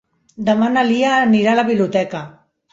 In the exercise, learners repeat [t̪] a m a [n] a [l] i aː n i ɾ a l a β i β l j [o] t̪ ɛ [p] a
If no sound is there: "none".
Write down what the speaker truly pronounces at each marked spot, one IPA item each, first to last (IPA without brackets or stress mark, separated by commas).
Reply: d̪, n, l, u, k